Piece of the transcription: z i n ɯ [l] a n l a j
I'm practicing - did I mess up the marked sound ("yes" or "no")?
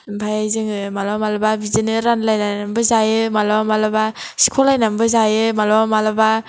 yes